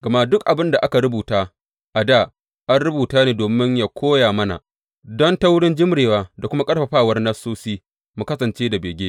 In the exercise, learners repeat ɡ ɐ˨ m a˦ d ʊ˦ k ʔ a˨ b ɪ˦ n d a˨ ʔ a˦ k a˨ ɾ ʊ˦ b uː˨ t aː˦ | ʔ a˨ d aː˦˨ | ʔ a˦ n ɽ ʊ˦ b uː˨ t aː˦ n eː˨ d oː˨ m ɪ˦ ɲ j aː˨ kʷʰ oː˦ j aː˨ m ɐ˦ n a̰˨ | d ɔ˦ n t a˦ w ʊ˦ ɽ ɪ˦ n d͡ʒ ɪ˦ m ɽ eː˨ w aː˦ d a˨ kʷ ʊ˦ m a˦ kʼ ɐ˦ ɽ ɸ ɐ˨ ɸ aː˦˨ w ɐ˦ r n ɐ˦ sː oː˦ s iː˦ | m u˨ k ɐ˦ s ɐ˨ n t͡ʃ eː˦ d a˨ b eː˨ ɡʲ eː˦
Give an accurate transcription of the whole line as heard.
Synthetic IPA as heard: ɡ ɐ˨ m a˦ d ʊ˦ k ʔ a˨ b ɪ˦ n d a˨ ʔ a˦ k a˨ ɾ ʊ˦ b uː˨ t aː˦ | ʔ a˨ d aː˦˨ | ʔ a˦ n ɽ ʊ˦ b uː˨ t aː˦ n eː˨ d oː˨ m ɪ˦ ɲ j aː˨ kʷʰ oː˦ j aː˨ m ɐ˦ n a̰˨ | d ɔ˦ n t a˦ w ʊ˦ ɽ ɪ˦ n d͡ʒ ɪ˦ m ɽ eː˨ w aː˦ d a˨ kʷ ʊ˦ m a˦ kʼ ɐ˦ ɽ ɸ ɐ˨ ɸ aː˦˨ w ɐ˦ r n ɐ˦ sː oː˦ s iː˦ | m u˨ k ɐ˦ s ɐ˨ n t͡ʃ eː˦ d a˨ b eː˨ ɡʲ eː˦

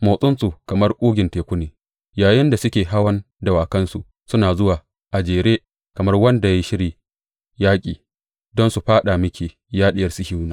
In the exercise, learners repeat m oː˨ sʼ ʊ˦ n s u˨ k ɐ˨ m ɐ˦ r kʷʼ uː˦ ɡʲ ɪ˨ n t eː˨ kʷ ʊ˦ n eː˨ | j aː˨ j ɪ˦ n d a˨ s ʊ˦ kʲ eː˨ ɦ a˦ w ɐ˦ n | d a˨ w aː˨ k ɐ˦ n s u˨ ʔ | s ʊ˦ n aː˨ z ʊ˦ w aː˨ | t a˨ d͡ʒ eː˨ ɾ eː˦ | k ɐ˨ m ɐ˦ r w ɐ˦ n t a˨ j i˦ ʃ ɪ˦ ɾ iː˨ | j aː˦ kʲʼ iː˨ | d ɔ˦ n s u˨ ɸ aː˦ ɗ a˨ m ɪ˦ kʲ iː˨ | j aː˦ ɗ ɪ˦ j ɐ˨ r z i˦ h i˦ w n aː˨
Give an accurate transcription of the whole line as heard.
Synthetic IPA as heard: m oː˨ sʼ ʊ˦ n s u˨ k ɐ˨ m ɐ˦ r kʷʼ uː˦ ɡʲ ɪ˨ n t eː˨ kʷ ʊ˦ n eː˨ | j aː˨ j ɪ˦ n d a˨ s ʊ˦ kʲ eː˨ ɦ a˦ w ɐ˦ n | d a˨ w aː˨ k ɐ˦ n s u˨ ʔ | s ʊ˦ n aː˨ z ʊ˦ w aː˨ | ʔ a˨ d͡ʒ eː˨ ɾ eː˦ | k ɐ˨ m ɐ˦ r w ɐ˦ n d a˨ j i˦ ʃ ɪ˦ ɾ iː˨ | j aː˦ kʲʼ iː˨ | d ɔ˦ n s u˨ ɸ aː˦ ɗ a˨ m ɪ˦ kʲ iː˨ | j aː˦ ɗ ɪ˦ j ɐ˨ r s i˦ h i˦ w n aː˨

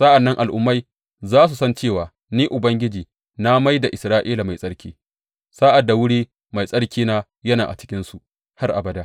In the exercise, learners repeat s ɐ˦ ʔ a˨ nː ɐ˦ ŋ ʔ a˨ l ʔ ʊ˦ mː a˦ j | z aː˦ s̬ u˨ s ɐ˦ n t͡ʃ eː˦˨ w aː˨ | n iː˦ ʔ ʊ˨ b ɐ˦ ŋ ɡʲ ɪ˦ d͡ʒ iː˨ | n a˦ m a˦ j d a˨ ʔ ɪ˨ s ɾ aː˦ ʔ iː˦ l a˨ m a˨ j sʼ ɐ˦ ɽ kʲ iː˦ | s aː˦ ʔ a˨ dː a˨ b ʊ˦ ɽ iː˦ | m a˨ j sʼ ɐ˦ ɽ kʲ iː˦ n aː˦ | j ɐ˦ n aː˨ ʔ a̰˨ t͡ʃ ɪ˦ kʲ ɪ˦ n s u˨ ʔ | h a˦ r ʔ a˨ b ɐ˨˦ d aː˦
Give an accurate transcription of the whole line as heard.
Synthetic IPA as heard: s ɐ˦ ʔ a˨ nː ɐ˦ ŋ ʔ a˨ l ʔ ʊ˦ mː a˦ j | z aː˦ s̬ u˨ s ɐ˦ n t͡ʃ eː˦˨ w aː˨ | n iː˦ ʔ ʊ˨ b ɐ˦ ŋ ɡʲ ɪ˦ d͡ʒ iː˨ | n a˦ m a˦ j d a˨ ʔ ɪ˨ s ɾ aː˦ ʔ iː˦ l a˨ m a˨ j sʼ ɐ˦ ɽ kʲ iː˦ | s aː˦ ʔ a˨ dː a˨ w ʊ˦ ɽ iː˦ | m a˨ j sʼ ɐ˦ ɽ kʲ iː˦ n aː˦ | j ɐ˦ n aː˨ ʔ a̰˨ t͡ʃ ɪ˦ kʲ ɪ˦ n s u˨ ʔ | h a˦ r ʔ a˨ b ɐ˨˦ d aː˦

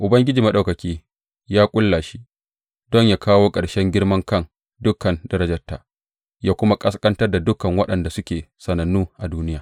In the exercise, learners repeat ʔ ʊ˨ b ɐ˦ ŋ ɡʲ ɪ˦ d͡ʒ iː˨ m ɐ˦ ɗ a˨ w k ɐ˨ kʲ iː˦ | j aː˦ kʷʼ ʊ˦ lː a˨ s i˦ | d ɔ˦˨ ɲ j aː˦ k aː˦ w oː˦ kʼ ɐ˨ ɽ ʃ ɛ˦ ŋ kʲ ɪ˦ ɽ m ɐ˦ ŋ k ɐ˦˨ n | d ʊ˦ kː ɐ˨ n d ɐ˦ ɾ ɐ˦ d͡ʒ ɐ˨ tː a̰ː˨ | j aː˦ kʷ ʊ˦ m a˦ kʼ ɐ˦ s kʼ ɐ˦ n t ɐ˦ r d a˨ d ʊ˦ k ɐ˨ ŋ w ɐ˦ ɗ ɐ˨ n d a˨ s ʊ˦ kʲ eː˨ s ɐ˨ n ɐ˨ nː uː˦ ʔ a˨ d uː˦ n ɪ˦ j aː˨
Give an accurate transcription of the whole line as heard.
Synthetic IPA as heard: ʔ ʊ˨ b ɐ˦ ŋ ɡʲ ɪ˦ d͡ʒ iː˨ m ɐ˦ ɗ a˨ w k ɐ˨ kʲ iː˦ | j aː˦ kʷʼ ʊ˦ lː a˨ ʃ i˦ | d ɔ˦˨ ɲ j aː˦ k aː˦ w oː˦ kʼ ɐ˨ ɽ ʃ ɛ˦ ŋ ɡʲ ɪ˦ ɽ m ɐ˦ ŋ k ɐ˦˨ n | d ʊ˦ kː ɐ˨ n d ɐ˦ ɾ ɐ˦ d͡ʒ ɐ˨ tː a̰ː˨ | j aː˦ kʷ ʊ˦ m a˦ kʼ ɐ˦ s kʼ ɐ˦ n t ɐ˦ r d a˨ d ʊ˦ k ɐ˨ ŋ w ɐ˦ ɗ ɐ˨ n d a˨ s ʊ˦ kʲ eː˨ s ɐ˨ n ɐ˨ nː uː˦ ʔ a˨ d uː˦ n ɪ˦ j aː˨

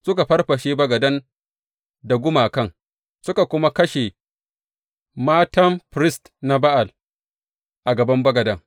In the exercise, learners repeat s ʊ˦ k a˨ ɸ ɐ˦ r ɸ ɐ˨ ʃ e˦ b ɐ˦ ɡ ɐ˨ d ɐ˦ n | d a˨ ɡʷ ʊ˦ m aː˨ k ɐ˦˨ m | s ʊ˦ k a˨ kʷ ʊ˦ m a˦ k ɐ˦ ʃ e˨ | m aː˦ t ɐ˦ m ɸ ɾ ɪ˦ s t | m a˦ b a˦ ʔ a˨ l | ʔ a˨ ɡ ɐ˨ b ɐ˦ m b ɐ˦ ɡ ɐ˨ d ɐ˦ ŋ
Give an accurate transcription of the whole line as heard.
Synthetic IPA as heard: s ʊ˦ k a˨ ɸ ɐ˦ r ɸ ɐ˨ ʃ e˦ b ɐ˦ ɡ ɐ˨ d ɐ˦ n | d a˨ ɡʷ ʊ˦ m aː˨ k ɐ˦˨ ŋ | s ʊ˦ k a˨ kʷ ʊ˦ m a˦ k ɐ˦ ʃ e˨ | m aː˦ t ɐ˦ m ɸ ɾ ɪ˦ s t | n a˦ b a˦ ʔ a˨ l | ʔ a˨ ɡ ɐ˨ b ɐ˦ m b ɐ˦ ɡ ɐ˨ d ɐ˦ ŋ

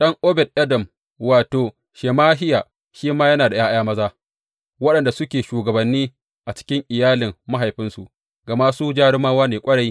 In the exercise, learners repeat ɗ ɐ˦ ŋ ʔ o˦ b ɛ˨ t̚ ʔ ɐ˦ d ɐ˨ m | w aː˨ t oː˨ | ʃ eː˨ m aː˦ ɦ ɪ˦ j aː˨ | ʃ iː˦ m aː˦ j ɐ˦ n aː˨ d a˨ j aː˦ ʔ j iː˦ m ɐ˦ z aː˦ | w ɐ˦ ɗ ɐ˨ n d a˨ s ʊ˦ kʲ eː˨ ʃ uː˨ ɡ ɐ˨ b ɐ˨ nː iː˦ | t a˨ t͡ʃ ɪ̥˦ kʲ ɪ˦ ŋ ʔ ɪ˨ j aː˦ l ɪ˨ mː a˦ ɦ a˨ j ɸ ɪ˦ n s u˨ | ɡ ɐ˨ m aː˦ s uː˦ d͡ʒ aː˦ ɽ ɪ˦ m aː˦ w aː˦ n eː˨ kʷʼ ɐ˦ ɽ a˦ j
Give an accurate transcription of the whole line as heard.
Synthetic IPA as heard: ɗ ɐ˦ ŋ ʔ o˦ b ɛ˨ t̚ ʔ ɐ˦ d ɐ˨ m | w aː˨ t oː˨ | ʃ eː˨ m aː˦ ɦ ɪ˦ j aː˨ | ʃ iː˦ m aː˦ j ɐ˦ n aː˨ d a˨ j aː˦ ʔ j aː˦ m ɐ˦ z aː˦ | w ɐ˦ ɗ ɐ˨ n d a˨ s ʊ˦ kʲ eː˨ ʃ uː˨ ɡ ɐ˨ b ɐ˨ nː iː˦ | ʔ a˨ t͡ʃ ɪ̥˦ kʲ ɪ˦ ŋ ʔ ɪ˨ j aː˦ l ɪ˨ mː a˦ ɦ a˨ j ɸ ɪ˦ n s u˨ | ɡ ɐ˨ m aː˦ s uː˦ d͡ʒ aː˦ ɽ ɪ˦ m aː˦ w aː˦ n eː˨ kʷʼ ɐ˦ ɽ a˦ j

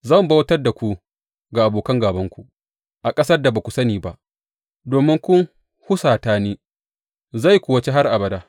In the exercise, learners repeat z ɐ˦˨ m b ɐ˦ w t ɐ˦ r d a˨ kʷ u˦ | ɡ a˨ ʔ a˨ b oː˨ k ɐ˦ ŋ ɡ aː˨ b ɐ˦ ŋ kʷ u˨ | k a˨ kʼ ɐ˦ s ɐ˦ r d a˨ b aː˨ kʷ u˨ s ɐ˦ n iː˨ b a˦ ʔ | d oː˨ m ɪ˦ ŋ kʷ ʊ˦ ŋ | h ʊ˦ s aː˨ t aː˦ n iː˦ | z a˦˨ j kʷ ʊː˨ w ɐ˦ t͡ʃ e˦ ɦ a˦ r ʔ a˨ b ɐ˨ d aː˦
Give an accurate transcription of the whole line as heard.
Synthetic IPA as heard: z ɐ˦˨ m b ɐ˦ w t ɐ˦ r d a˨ kʷ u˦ | ɡ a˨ ʔ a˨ b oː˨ k ɐ˦ ŋ ɡ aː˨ b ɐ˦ ŋ kʷ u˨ | ʔ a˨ kʼ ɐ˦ s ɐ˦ r d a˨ b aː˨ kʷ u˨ s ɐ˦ n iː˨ b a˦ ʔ | d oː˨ m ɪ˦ ŋ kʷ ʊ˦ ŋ | h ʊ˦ s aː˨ t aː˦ n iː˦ | z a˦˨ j kʷ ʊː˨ w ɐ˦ t͡ʃ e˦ ɦ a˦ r ʔ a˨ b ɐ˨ d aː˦

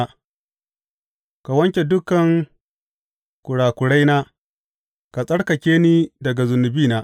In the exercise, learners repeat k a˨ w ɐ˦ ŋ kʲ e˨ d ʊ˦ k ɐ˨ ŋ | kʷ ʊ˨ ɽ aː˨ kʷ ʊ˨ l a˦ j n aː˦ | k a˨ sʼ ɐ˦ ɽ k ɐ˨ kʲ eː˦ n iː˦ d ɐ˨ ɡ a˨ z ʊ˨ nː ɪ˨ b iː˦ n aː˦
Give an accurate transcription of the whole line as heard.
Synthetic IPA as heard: k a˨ w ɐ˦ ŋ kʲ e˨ d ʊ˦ k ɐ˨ ŋ | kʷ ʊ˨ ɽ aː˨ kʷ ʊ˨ ɽ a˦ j n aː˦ | k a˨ sʼ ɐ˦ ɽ k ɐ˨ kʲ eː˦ n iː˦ d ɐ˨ ɡ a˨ z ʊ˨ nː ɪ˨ b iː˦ n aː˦

